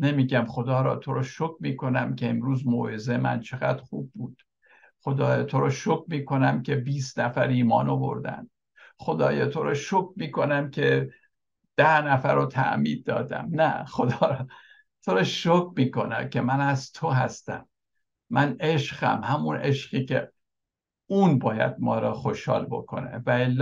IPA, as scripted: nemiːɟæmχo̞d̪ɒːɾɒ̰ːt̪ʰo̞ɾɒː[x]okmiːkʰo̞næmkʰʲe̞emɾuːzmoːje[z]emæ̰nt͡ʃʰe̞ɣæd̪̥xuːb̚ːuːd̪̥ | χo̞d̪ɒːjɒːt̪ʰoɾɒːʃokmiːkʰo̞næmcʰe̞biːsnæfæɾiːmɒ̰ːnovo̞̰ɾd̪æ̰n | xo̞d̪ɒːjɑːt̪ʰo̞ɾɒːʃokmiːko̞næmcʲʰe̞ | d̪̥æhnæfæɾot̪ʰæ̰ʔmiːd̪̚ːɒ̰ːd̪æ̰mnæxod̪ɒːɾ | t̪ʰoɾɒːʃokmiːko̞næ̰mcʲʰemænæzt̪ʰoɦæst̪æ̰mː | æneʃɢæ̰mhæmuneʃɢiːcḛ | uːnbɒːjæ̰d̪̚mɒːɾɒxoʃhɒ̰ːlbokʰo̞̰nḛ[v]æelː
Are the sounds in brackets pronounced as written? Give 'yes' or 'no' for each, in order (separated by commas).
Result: no, yes, yes